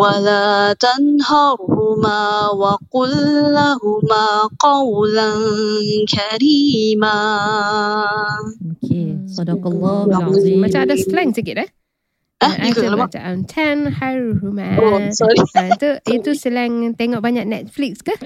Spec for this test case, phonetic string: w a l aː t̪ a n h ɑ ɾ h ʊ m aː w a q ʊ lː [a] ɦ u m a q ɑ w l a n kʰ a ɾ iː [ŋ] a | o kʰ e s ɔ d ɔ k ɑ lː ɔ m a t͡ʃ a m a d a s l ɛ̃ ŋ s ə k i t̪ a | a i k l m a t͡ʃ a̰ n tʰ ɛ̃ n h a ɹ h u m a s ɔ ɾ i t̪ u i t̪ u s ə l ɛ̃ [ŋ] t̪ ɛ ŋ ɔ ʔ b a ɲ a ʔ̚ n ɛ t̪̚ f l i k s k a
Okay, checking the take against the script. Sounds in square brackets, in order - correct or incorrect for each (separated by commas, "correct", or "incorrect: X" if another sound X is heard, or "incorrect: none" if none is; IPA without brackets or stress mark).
correct, incorrect: m, correct